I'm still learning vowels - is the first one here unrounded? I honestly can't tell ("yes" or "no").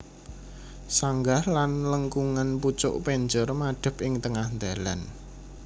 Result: yes